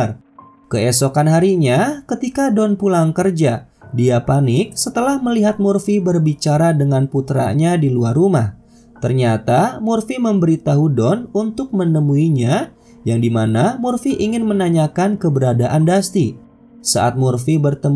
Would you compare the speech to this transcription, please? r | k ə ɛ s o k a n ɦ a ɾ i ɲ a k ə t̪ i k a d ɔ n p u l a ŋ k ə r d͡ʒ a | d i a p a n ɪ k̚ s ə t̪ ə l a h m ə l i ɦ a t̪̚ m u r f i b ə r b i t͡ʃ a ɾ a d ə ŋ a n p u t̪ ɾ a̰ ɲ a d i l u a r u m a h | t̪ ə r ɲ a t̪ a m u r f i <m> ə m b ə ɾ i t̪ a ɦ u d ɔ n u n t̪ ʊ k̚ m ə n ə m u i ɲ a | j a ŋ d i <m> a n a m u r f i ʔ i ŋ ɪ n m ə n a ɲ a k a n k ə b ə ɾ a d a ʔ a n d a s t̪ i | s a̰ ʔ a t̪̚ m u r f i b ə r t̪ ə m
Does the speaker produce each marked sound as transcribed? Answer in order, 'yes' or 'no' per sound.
yes, yes

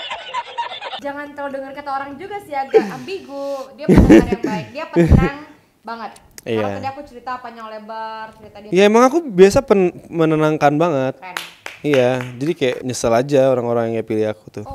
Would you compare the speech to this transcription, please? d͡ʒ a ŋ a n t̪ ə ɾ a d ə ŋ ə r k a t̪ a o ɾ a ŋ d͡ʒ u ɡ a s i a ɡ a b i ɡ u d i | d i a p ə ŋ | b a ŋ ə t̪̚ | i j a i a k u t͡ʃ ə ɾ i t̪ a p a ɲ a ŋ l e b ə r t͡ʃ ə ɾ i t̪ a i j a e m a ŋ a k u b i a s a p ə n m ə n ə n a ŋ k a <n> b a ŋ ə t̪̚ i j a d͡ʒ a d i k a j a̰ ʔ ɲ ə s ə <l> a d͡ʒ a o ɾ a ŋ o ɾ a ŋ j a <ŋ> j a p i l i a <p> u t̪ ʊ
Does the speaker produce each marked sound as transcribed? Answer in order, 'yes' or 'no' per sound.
yes, yes, yes, no

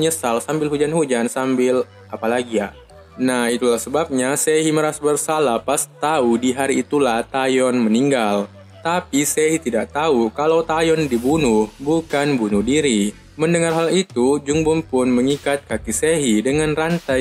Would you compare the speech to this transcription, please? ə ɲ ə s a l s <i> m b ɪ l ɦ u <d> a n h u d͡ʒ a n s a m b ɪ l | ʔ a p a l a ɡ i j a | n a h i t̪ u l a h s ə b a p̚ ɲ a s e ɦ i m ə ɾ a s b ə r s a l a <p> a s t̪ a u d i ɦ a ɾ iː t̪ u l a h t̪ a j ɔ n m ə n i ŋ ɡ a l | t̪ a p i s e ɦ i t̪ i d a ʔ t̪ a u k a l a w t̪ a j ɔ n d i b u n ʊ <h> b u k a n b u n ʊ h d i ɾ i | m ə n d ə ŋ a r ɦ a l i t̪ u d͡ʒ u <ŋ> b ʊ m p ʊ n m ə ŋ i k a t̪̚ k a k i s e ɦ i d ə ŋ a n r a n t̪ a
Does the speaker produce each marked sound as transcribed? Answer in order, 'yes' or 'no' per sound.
no, no, yes, yes, yes

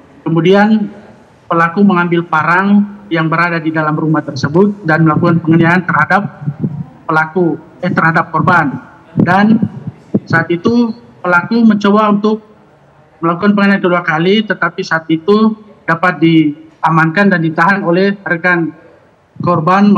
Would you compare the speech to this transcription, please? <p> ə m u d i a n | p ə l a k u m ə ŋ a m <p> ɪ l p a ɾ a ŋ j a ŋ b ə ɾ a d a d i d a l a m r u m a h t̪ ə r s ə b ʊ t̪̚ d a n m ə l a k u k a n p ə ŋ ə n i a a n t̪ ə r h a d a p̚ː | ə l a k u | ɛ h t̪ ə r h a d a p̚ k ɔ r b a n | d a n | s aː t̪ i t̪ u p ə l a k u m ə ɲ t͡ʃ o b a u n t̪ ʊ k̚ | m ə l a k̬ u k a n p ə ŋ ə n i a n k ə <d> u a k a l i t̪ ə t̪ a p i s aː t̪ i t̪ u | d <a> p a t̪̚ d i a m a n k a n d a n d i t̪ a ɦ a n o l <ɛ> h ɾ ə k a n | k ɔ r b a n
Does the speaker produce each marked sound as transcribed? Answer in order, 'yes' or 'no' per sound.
no, no, yes, yes, yes

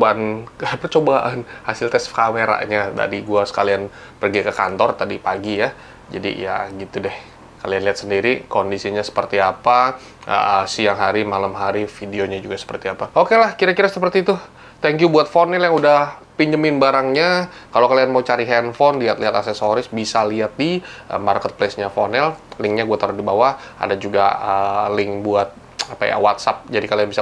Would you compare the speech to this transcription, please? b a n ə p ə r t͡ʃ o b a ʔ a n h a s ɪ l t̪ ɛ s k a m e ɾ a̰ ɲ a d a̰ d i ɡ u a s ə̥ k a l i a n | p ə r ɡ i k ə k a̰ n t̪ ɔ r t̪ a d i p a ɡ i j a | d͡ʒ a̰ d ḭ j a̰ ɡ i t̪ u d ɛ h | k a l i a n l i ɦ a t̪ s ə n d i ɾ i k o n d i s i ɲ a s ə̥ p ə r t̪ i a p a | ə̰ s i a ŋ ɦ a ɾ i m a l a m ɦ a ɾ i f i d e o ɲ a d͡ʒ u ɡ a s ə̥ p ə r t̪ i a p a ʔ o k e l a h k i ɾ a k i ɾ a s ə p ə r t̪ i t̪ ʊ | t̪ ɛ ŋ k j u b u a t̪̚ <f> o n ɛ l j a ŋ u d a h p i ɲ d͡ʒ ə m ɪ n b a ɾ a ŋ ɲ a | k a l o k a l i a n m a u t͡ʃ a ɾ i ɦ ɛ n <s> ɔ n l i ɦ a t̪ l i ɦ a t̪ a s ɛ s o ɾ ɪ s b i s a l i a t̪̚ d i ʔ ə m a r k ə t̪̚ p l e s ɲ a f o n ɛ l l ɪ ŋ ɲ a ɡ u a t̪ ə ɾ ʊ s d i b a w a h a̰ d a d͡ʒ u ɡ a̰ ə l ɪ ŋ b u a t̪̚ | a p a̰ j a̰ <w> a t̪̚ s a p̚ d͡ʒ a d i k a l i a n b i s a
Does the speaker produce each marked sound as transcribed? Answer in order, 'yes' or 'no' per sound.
yes, no, yes

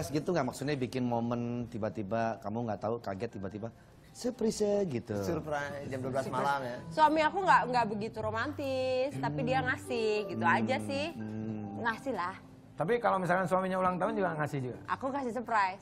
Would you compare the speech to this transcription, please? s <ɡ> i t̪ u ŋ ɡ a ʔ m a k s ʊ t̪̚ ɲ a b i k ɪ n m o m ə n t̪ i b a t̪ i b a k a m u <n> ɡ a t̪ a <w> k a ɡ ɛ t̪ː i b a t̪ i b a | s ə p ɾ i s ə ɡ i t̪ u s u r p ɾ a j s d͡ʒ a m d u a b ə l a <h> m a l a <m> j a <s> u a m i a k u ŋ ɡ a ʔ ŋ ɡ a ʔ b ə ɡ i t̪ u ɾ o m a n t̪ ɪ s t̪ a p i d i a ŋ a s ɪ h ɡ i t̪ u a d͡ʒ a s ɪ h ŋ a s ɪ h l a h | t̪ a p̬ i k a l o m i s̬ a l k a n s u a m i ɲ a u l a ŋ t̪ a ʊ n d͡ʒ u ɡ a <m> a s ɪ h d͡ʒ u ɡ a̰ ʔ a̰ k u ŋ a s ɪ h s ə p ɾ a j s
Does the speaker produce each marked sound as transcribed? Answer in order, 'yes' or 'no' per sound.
yes, no, no, no, yes, yes, no

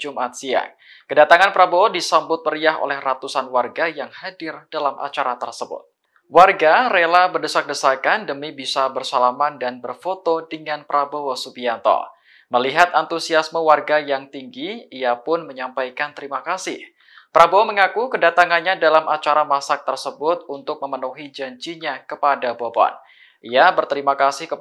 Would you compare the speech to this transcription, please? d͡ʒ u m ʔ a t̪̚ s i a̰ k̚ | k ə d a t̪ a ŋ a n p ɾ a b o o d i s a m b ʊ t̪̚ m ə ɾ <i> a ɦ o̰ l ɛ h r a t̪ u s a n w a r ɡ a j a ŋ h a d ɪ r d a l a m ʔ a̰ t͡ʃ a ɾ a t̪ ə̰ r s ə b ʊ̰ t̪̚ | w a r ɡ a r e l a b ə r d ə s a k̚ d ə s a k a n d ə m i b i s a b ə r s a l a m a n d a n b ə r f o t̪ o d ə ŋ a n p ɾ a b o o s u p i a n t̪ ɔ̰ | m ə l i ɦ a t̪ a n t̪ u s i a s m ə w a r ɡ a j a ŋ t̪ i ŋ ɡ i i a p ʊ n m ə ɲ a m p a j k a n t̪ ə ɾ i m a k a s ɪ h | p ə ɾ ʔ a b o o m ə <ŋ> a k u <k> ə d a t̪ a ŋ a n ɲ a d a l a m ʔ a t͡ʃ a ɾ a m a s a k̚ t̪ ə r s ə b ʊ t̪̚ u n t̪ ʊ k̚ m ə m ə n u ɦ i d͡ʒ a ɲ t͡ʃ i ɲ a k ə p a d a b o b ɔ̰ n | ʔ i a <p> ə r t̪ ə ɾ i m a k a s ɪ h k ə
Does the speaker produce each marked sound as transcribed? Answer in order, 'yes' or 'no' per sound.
yes, yes, yes, no

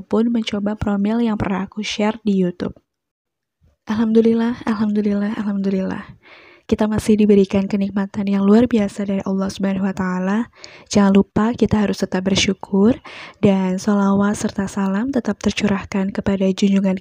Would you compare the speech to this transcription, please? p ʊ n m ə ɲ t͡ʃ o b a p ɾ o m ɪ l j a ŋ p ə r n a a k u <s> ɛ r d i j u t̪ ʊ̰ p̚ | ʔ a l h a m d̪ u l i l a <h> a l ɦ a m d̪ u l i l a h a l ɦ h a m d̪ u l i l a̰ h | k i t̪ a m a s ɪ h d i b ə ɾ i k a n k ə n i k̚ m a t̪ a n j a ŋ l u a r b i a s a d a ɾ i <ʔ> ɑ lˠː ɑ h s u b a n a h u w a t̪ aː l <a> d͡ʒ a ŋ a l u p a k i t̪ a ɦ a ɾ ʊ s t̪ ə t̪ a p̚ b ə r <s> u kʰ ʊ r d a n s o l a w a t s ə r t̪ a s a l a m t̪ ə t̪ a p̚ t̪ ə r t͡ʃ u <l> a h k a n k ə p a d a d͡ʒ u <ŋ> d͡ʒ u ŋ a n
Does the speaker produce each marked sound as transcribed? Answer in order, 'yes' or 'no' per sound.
no, yes, yes, yes, no, no, no

